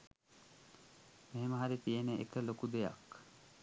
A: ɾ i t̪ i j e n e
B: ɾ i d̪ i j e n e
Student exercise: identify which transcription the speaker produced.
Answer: A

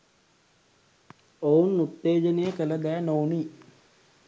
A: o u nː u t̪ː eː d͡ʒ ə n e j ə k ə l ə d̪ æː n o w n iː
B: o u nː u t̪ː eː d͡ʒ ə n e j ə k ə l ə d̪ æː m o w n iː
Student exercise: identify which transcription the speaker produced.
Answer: A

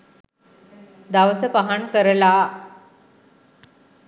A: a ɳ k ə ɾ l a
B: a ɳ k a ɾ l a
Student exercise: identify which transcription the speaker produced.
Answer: A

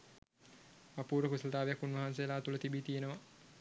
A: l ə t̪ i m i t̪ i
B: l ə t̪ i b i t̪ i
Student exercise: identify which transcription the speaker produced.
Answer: B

